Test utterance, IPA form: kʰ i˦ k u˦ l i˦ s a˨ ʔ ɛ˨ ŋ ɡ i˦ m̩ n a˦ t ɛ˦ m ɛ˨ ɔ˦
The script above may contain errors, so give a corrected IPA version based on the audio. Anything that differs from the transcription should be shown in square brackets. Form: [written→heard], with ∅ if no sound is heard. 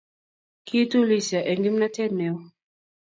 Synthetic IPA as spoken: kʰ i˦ [k→t] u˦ l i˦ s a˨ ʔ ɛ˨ ŋ ɡ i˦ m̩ n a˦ t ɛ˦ [m→n] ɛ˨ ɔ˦